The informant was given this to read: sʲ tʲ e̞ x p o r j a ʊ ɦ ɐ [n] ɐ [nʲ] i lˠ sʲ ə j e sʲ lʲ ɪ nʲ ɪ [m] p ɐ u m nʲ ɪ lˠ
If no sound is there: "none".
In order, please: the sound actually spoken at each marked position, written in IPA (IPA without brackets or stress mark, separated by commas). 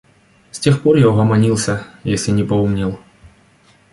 m, nʲ, none